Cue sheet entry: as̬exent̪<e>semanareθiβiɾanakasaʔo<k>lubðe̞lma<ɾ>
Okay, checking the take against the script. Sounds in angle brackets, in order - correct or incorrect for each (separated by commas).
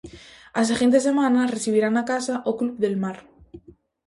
correct, correct, correct